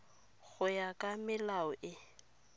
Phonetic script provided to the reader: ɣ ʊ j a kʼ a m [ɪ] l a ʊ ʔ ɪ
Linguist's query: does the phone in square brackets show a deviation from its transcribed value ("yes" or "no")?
no